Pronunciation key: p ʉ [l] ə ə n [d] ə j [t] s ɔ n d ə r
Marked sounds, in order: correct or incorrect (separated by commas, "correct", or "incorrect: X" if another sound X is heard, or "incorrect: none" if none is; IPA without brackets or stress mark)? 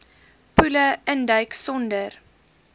correct, correct, incorrect: k